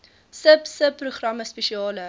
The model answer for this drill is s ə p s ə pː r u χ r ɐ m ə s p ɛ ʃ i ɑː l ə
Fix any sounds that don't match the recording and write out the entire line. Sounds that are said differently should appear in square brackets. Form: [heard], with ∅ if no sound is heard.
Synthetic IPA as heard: s ə p s ə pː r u χ r ɐ m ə s p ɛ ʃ i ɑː l ə